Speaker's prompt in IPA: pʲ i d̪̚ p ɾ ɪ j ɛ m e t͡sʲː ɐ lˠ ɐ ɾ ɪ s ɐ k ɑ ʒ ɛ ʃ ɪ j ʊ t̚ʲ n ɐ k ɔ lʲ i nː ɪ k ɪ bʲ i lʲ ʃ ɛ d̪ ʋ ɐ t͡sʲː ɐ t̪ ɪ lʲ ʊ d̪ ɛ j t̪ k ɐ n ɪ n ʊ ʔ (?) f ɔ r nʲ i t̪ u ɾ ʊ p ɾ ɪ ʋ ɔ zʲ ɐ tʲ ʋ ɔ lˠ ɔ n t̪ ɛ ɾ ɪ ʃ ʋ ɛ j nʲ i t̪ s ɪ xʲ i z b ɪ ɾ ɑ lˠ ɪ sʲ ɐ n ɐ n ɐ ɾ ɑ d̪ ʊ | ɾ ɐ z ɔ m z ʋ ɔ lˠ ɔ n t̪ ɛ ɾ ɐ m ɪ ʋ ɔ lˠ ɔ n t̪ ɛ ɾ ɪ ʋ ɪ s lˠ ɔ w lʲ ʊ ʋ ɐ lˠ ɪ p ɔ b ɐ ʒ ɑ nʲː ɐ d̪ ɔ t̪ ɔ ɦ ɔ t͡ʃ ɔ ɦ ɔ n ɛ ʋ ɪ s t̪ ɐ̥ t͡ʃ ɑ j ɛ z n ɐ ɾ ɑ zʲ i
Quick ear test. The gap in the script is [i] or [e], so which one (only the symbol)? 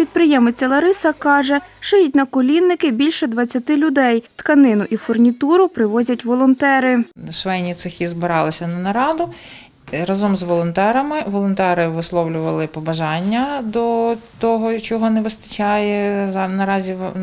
i